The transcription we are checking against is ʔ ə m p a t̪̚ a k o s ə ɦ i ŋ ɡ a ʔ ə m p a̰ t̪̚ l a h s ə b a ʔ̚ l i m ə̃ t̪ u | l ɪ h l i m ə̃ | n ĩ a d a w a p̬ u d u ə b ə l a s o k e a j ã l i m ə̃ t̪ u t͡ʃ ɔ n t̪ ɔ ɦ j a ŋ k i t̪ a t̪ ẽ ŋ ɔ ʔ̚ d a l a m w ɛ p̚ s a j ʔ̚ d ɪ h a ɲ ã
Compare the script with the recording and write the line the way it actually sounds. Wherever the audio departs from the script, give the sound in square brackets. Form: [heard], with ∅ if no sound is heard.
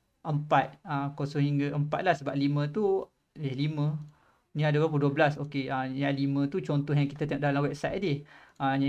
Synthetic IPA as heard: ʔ ə m p a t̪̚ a k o s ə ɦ i ŋ ɡ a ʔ ə m p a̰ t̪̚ l a h s ə b a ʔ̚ l i m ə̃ t̪ u | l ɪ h l i m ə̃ | n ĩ a d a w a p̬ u d u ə b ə l a s o k e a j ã l i m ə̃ t̪ u t͡ʃ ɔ n t̪ ɔ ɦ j a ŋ k i t̪ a t̪ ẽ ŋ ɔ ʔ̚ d a l a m w ɛ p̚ s a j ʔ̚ d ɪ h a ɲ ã